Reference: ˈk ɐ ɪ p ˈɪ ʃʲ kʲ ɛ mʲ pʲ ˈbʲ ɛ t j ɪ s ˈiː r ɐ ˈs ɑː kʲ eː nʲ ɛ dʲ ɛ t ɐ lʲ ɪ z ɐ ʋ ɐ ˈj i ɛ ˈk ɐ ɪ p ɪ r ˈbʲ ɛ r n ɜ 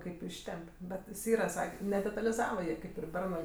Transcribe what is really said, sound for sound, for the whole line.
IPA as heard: ˈk ɐ ɪ p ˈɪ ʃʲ tʲ ɛ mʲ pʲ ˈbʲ ɛ t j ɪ s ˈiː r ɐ ˈs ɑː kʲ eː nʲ ɛ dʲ ɛ t ɐ lʲ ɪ z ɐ ʋ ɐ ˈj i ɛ ˈk ɐ ɪ p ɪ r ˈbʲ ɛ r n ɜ

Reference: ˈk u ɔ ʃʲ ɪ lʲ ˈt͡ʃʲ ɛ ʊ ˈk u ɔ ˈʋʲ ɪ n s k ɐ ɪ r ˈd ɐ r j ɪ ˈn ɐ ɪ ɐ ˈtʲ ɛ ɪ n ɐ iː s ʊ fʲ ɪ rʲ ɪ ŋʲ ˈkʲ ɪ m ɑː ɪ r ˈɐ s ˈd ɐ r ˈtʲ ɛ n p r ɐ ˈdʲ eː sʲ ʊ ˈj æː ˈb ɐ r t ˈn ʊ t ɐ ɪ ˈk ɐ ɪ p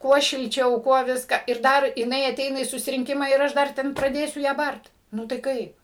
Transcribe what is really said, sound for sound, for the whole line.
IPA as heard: ˈk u ɔ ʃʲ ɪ lʲ ˈt͡ʃʲ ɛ ʊ ˈk u ɔ ˈʋʲ ɪ s k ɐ ɪ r ˈd ɐ r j ɪ ˈn ɐ ɪ ɐ ˈtʲ ɛ ɪ n ɐ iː s ʊ sʲ ɪ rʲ ɪ ŋʲ ˈkʲ ɪ m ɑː ɪ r ˈɐ ʃ ˈd ɐ r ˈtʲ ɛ n p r ɐ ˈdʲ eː sʲ ʊ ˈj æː ˈb ɐ r t ˈn ʊ t ɐ ɪ ˈk ɐ ɪ p

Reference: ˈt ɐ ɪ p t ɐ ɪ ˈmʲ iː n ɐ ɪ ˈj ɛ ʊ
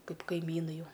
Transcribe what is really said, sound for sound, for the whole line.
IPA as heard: ˈk ɐ ɪ p k ɐ ɪ ˈmʲ iː n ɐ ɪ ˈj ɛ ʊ

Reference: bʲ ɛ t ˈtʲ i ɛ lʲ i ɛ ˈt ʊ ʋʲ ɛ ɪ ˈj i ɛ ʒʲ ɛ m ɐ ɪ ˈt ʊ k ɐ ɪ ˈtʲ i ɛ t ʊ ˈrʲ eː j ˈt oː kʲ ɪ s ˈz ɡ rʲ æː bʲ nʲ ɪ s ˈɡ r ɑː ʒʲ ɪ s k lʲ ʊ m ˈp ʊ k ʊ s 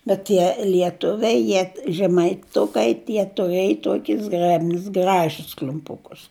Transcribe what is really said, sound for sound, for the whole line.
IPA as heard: bʲ ɛ t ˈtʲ i ɛ lʲ i ɛ ˈt ʊ ʋʲ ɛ ɪ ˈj i ɛ ʒʲ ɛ m ɐ ɪ ˈt ʊ k ɐ ɪ ˈtʲ i ɛ t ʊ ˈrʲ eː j ˈt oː kʲ ɪ s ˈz ɡ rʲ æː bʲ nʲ ɪ s ˈɡ r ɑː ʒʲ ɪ s k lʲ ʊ m ˈp ʊ k ʊ s

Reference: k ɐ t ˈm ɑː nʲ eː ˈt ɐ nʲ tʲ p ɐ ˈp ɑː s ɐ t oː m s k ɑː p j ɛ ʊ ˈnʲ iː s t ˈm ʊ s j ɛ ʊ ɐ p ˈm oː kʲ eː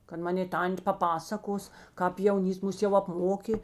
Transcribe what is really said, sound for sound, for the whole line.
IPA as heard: k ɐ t ˈm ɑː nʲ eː ˈt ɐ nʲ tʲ p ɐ ˈp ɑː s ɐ k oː s k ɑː p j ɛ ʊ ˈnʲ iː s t ˈm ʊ s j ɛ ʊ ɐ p ˈm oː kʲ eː

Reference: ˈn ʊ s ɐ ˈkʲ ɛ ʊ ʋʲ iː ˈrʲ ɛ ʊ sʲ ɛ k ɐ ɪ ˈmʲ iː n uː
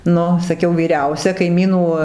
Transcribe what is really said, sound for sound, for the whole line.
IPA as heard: ˈn ʊ s ɐ ˈkʲ ɛ ʊ ʋʲ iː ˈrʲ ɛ ʊ sʲ ɛ k ɐ ɪ ˈmʲ iː n uː

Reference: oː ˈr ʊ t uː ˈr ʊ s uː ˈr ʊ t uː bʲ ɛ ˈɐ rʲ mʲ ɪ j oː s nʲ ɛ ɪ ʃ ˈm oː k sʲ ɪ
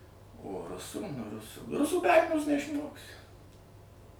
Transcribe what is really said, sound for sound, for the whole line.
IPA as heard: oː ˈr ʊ s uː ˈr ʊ s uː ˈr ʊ s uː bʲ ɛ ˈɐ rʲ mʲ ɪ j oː s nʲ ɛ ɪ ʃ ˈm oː k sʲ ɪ

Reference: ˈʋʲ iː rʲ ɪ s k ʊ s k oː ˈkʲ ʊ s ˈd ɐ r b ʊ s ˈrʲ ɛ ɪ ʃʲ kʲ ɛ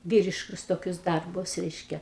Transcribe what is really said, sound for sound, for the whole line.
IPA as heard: ˈʋʲ iː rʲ ɪ ʃ k ʊ s t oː ˈkʲ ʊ s ˈd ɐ r b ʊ s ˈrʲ ɛ ɪ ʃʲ kʲ ɛ

